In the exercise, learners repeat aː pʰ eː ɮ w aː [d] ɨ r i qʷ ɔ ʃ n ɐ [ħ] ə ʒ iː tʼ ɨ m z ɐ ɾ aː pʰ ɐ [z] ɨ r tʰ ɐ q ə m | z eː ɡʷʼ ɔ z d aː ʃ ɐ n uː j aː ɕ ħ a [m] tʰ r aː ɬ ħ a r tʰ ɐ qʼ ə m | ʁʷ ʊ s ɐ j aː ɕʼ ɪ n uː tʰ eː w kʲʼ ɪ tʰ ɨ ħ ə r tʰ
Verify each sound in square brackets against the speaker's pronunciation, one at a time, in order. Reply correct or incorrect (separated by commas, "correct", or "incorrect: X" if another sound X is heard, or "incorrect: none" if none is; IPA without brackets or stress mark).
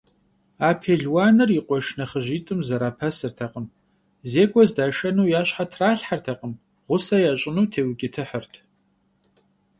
incorrect: n, incorrect: χ, incorrect: s, incorrect: none